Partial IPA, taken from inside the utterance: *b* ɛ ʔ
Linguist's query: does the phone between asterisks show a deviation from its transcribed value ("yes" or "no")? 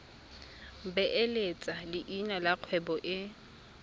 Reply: no